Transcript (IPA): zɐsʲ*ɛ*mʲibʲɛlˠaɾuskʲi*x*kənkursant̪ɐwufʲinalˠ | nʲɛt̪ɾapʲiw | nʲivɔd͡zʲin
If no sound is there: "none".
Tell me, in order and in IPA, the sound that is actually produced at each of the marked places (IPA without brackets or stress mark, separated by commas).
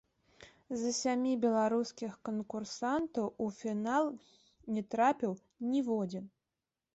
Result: a, x